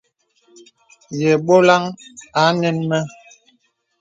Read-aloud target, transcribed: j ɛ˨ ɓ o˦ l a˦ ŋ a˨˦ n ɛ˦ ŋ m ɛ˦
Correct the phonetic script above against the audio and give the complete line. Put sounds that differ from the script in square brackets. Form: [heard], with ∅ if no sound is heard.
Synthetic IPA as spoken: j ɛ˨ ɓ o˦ l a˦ ŋ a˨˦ n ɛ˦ [n] m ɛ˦

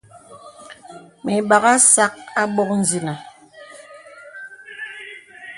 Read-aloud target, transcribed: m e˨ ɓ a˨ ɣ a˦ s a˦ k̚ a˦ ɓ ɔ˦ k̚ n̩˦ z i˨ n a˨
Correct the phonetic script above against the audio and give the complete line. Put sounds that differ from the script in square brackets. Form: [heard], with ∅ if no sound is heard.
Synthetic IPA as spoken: m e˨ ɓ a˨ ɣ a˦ s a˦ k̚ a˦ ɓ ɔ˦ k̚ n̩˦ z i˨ n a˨

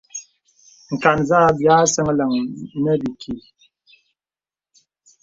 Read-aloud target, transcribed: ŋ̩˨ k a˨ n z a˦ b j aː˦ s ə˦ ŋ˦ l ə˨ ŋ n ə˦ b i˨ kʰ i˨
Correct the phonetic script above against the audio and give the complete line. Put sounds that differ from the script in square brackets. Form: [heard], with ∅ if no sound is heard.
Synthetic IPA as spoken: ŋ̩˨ k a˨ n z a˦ b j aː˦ s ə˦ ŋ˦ l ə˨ ŋ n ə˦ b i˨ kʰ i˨

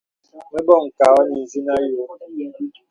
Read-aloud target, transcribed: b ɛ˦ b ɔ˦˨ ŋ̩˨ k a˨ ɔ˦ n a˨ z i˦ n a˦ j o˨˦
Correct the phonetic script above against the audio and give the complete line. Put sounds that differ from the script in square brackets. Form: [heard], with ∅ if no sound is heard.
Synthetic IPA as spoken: [m] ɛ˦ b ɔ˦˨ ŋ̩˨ k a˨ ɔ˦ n [i˨] z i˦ n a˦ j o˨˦

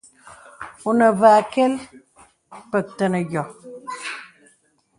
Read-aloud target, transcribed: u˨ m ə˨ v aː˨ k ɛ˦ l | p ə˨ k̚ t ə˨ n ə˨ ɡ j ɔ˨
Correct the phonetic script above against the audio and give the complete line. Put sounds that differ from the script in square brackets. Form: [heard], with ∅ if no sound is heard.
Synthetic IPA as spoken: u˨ [n] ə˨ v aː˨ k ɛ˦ l | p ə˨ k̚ t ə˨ n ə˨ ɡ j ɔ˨

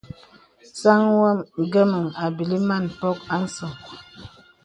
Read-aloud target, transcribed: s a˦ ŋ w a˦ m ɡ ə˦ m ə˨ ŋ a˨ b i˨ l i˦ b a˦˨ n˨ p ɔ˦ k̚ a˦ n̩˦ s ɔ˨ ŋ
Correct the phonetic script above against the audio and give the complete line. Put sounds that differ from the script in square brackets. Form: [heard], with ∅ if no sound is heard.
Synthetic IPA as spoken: s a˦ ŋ w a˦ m ɡ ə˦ m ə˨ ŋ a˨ b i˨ l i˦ [m] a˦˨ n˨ p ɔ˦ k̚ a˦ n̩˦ s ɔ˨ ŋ

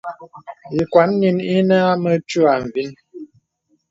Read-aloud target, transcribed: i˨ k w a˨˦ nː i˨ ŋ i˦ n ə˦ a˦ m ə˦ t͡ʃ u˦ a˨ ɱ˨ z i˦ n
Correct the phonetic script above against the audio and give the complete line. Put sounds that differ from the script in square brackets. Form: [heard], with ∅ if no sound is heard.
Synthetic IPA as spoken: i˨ k w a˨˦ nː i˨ [n] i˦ n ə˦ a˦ m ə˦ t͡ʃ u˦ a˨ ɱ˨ [v] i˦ n

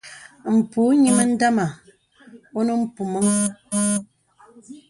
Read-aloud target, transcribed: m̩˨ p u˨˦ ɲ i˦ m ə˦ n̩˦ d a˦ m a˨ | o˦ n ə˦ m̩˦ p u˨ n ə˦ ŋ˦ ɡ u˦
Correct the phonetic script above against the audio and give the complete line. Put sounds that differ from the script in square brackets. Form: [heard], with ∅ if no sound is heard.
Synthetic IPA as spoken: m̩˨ p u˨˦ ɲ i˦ m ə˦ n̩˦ d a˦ m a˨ | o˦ n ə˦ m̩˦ p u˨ [m] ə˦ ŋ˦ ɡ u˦

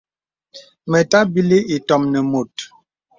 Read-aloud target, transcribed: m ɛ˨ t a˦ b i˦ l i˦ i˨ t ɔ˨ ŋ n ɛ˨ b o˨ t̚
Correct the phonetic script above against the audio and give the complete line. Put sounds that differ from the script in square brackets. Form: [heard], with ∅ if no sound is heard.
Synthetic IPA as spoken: m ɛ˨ t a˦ b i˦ l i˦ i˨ t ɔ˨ [m] n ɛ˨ [m] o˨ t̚

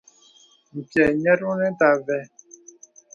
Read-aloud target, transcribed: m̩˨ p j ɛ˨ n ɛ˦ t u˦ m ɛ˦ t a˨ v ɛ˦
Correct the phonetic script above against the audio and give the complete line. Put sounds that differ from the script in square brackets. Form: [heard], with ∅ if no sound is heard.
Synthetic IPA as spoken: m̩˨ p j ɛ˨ [ɲ] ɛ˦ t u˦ [n] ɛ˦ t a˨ v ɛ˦

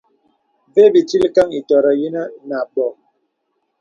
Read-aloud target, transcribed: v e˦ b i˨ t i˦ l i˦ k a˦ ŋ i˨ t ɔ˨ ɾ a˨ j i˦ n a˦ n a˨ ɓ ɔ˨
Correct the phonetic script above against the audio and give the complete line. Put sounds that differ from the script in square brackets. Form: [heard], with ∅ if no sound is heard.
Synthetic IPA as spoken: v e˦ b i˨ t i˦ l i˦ k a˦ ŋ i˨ t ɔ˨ ɾ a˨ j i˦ n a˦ n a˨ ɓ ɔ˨

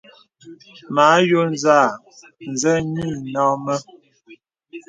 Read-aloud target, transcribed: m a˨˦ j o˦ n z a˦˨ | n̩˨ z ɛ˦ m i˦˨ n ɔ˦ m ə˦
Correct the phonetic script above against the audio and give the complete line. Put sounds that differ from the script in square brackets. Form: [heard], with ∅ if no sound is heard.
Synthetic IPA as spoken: m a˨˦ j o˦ n z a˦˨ | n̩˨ z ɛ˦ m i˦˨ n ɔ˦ m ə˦

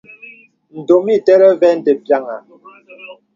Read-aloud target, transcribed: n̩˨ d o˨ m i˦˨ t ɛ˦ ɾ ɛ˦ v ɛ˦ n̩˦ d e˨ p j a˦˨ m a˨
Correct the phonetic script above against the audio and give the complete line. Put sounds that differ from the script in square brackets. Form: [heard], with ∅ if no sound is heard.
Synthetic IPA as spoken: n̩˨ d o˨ m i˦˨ t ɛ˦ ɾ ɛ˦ v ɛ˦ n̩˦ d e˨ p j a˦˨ [ŋ] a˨

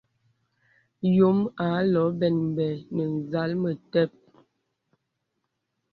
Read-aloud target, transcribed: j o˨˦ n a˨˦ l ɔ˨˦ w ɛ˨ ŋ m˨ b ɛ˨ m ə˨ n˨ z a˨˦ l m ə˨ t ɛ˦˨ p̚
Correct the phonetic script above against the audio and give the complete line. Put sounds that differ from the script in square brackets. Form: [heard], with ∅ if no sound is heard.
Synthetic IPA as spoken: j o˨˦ [m] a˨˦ l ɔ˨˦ [b] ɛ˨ [n] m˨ b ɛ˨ [n] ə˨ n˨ z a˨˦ l m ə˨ t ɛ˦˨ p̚

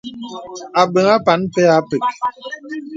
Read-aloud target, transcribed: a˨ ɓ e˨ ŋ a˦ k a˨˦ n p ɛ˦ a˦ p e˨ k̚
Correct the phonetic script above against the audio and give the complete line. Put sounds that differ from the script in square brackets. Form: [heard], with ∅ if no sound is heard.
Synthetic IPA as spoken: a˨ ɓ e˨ ŋ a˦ [p] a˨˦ n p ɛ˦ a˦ p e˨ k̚

